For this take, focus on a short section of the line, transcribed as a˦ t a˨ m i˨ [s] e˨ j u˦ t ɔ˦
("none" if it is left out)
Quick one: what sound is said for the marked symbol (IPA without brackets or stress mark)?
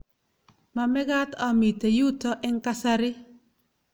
t